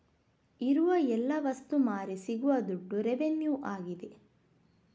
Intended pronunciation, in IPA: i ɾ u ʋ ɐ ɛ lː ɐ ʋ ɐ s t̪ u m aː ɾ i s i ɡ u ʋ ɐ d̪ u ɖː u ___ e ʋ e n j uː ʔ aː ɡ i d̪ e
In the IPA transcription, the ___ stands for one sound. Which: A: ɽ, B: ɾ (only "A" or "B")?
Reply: B